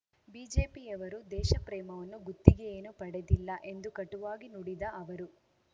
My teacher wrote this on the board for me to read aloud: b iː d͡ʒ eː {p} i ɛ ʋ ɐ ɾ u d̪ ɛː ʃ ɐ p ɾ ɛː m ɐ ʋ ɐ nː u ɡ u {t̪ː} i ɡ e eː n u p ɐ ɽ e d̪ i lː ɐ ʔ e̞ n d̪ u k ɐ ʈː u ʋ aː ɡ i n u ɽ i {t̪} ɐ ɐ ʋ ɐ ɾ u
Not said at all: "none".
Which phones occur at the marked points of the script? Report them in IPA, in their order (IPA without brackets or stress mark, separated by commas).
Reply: p, t̪ː, d̪